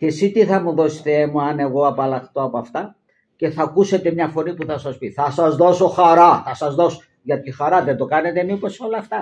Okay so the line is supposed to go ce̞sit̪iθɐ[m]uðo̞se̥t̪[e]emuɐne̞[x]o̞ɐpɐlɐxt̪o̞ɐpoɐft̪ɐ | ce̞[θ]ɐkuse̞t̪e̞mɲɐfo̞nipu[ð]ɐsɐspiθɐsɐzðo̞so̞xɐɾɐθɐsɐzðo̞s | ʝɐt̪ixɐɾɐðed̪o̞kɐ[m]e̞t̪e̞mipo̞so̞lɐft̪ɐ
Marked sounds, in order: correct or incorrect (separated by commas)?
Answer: correct, correct, incorrect, correct, incorrect, incorrect